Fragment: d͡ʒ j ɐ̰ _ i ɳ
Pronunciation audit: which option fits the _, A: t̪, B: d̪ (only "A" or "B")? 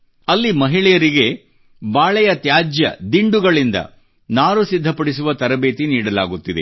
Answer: B